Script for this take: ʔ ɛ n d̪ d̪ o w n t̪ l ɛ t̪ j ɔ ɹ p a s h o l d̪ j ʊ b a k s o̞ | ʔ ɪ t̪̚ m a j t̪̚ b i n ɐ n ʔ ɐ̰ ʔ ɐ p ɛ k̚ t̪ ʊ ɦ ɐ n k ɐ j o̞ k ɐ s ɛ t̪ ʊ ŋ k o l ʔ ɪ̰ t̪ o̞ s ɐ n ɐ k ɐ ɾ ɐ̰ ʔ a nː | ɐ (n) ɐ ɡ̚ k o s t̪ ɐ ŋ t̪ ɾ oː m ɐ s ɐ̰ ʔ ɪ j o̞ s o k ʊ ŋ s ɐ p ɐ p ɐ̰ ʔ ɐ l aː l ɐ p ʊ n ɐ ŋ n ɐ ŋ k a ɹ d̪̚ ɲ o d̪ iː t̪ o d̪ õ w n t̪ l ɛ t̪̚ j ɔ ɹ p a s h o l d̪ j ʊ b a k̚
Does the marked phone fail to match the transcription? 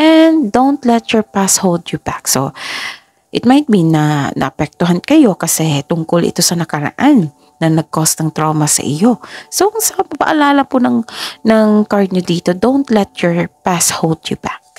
no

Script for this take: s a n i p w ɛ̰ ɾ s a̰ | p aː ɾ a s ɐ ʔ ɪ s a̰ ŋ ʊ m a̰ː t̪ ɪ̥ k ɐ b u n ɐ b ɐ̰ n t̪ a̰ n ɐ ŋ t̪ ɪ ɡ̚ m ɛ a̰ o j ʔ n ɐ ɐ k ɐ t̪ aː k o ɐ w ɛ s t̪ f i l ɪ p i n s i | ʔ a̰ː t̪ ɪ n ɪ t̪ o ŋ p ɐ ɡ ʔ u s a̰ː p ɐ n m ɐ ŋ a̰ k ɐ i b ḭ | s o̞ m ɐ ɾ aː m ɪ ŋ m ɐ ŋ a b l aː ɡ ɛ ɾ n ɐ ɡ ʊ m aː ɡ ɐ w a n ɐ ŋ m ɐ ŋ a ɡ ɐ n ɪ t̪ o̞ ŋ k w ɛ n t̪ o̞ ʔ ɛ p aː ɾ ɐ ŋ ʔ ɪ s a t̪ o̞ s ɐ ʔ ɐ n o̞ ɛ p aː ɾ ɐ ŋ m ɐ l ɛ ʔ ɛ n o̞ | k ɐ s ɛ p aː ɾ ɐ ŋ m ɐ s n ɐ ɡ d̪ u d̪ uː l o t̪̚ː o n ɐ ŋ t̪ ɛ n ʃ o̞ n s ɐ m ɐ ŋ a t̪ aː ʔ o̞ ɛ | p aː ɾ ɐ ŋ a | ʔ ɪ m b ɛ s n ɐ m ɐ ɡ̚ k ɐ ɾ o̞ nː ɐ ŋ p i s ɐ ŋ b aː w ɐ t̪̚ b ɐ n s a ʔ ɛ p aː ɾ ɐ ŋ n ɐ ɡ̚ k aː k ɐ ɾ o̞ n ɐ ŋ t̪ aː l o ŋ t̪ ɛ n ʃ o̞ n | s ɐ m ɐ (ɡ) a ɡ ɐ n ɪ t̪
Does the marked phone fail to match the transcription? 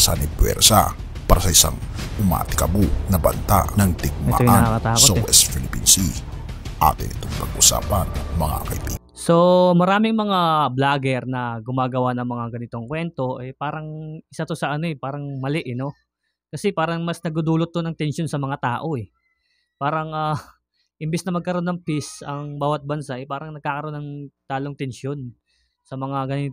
yes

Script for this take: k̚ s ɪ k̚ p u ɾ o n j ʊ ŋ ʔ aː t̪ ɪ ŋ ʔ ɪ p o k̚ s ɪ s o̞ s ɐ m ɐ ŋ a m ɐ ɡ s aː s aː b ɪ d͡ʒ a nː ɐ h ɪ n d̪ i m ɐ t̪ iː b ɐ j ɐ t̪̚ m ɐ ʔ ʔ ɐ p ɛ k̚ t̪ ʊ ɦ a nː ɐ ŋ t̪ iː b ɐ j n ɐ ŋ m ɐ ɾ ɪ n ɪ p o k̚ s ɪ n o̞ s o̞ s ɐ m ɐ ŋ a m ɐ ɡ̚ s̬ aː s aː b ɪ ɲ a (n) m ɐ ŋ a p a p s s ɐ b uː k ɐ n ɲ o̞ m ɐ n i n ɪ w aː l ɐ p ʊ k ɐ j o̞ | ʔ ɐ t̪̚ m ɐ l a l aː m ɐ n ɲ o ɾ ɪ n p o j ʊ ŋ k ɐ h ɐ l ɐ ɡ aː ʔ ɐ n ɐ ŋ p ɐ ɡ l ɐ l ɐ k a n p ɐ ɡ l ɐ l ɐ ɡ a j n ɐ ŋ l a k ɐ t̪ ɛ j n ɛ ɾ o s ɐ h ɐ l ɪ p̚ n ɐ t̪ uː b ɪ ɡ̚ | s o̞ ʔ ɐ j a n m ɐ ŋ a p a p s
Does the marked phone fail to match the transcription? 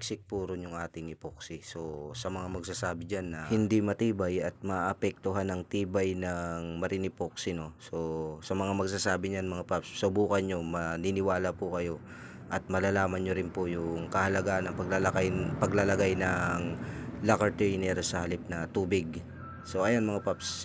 no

